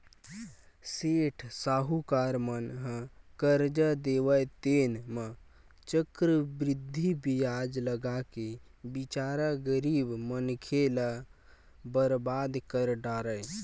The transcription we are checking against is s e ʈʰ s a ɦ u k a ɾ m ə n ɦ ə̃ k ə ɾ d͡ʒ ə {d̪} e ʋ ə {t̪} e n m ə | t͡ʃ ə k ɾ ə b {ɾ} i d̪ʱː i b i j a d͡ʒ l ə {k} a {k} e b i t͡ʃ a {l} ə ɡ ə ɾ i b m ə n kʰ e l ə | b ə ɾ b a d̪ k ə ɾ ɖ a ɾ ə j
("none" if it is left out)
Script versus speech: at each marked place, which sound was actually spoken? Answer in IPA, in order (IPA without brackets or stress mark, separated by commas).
d̪, t̪, ɾ, ɡ, k, ɾ